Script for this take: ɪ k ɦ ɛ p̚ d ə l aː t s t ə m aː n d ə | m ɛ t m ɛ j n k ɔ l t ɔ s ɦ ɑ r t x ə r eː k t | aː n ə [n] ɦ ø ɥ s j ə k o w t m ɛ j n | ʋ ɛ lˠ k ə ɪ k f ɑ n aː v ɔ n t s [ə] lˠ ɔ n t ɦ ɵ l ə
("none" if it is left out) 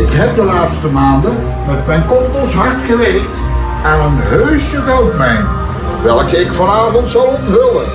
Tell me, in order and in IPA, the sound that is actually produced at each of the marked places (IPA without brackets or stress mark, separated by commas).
n, ɑ